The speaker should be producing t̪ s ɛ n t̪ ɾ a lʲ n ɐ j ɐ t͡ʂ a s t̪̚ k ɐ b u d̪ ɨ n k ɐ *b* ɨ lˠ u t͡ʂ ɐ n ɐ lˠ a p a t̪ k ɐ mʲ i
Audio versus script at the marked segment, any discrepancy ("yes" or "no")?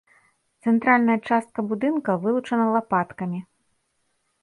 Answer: yes